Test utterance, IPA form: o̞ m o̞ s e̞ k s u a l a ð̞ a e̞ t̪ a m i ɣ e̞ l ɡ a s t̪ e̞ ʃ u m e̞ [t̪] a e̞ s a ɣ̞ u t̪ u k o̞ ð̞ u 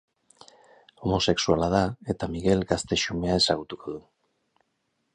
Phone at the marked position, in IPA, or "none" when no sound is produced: none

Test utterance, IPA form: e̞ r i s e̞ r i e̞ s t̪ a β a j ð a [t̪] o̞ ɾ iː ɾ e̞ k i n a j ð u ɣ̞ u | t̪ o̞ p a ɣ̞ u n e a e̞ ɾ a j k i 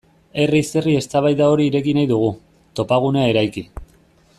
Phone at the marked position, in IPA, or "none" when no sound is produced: none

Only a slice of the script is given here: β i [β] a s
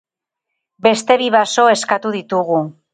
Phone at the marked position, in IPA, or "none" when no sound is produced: β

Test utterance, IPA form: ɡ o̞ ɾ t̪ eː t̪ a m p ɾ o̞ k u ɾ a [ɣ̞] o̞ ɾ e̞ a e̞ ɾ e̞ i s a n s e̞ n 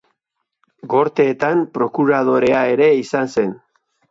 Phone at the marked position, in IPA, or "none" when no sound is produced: ð̞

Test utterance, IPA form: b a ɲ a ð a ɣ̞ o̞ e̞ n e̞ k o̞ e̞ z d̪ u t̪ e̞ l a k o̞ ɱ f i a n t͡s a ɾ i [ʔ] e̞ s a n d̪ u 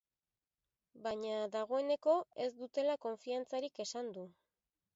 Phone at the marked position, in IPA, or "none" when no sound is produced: k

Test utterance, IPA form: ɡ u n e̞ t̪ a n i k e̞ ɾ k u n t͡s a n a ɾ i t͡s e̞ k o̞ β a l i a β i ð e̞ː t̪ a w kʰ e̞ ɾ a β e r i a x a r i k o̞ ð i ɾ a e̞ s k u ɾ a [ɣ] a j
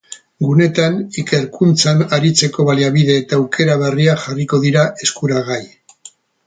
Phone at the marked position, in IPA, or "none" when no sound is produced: ɣ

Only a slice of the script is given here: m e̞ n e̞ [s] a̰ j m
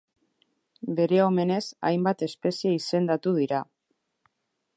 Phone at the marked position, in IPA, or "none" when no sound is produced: s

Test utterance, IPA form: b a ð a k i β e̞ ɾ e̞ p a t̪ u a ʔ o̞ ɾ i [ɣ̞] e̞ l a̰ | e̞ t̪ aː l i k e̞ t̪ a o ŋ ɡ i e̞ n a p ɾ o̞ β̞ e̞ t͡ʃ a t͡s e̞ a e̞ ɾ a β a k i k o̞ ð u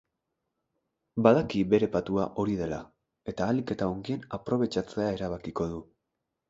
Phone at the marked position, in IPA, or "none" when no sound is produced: ð̞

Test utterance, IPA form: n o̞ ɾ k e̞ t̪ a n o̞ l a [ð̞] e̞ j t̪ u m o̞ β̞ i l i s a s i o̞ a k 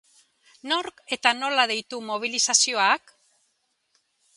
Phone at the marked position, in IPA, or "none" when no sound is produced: ð̞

